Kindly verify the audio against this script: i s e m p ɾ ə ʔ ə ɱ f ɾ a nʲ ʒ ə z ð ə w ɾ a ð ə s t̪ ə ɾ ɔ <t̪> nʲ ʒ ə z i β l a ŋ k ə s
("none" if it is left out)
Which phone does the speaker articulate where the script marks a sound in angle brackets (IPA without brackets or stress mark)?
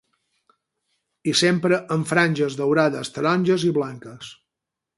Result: none